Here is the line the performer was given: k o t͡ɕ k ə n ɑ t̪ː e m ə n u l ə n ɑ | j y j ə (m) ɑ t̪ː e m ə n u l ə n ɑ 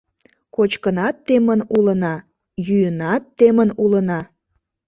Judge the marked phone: incorrect: n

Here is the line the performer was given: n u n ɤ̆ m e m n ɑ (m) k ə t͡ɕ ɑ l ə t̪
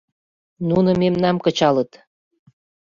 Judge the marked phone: correct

